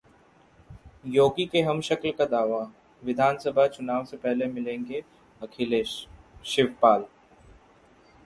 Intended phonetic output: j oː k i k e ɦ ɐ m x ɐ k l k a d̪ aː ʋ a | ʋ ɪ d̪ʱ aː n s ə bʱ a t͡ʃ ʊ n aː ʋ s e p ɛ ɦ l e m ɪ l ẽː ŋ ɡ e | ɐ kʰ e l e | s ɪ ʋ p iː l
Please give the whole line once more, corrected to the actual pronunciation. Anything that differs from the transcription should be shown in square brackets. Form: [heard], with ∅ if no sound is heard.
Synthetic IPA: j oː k i k e ɦ ɐ m [ʃ] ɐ k l k a d̪ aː ʋ a | ʋ ɪ d̪ʱ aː n s ə bʱ a t͡ʃ ʊ n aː ʋ s e p ɛ ɦ l e m ɪ l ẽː ŋ ɡ e | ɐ kʰ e l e | [ʃ] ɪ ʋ p [aː] l